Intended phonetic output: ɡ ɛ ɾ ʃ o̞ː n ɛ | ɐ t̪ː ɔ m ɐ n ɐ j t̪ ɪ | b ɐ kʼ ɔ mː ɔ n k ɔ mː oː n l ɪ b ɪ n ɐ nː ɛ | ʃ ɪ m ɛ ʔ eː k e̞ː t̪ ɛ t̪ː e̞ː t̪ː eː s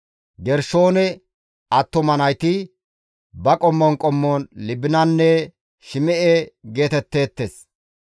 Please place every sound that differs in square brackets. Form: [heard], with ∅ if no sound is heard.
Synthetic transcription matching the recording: ɡ ɛ ɾ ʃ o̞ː n ɛ | ɐ t̪ː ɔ m ɐ n ɐ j t̪ ɪ | b ɐ kʼ ɔ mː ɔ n [kʼ] ɔ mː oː n l ɪ b ɪ n ɐ nː ɛ | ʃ ɪ m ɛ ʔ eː [ɡ] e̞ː t̪ ɛ t̪ː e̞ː t̪ː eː s